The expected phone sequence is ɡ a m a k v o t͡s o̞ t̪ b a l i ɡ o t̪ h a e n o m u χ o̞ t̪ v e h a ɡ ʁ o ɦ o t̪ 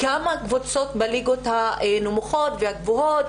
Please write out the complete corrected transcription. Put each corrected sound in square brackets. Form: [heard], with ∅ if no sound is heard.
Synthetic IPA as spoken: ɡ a m a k v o t͡s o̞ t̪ b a l i ɡ o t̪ h a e n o m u χ o̞ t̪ v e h a ɡ [v] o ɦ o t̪